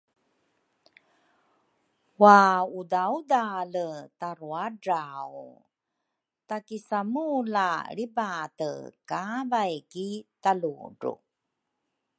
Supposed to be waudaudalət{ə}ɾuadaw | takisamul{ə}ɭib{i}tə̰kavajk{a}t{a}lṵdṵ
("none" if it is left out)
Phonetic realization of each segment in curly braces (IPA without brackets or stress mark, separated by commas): a, a, a, i, a